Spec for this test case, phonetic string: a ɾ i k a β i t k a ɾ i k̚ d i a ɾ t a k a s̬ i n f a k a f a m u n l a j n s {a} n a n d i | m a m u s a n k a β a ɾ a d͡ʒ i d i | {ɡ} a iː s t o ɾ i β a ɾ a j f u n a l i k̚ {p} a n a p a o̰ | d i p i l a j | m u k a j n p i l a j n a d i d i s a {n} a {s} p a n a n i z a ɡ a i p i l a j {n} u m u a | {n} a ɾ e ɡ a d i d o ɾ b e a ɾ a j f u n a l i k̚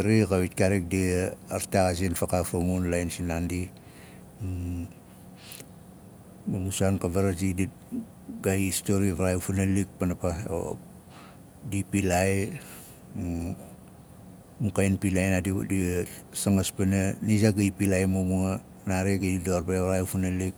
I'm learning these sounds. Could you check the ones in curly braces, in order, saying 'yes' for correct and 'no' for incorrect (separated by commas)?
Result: no, yes, yes, no, yes, no, yes